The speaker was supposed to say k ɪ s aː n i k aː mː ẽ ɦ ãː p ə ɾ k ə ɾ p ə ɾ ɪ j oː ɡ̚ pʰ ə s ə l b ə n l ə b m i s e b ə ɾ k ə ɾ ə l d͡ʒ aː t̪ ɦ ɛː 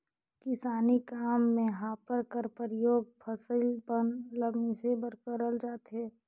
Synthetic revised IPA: k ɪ s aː n i k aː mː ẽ ɦ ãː p ə ɾ k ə ɾ p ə ɾ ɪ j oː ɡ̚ pʰ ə s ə l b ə n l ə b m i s e b ə ɾ k ə ɾ ə l d͡ʒ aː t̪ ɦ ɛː